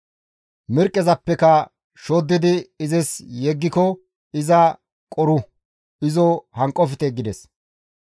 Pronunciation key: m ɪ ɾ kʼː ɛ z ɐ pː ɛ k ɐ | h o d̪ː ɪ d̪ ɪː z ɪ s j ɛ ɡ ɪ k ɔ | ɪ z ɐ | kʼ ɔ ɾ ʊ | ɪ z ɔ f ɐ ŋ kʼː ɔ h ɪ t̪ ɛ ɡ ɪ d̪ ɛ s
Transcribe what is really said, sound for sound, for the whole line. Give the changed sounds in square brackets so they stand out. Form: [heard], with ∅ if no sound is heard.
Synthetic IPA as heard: m ɪ ɾ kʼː ɛ z ɐ pː ɛ k ɐ | [ʃ] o d̪ː ɪ d̪ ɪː z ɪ s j ɛ [ɡː] ɪ k ɔ | ɪ z ɐ | kʼ ɔ ɾ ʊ | ɪ z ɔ [h] ɐ ŋ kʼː ɔ [f] ɪ t̪ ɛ ɡ ɪ d̪ ɛ s